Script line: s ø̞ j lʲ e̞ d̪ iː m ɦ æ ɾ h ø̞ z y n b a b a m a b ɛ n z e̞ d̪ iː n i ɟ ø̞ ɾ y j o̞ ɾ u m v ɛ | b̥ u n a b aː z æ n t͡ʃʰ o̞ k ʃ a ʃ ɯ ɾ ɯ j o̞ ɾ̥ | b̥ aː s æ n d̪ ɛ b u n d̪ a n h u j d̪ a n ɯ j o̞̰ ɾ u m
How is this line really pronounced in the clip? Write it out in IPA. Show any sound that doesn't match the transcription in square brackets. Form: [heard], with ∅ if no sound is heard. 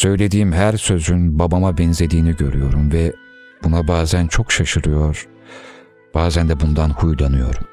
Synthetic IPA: s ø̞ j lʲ e̞ d̪ iː m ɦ æ ɾ [s] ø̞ z y n b a b a m a b ɛ n z e̞ d̪ iː n i ɟ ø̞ ɾ y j o̞ ɾ u m v ɛ | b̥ u n a b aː z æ n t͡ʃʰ o̞ k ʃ a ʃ ɯ ɾ ɯ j o̞ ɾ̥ | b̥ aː [z] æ n d̪ ɛ b u n d̪ a n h u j d̪ a n ɯ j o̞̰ ɾ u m